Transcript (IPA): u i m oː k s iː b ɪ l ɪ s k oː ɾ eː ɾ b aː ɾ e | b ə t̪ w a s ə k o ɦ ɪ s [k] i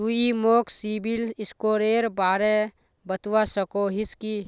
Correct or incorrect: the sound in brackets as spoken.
correct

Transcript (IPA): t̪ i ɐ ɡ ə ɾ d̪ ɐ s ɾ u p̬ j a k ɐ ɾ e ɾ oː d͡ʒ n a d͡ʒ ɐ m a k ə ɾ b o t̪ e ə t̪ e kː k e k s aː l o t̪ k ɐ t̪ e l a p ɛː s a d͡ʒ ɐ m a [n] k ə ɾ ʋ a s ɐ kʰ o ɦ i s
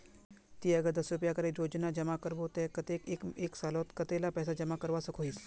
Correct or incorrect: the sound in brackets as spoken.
incorrect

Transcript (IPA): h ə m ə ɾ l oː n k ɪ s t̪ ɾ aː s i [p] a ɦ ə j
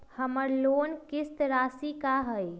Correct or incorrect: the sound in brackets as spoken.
incorrect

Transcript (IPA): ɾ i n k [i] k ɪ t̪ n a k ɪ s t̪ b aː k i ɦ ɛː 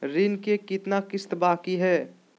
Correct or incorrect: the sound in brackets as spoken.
incorrect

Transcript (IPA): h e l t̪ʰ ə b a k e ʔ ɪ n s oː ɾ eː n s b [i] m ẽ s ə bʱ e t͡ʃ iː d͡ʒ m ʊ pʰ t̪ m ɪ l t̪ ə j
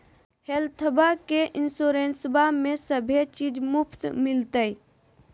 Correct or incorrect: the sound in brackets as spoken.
incorrect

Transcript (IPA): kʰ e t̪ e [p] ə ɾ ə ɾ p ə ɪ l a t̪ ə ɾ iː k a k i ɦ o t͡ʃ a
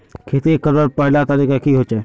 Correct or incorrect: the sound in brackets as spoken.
incorrect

